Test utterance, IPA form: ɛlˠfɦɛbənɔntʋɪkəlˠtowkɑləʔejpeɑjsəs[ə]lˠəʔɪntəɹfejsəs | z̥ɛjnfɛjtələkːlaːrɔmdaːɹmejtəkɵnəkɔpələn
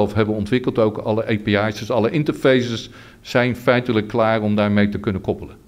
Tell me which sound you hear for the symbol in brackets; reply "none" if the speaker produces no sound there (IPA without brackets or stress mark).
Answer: ɑ